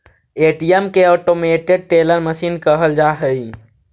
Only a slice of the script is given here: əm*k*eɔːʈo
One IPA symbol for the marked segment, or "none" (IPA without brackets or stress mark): k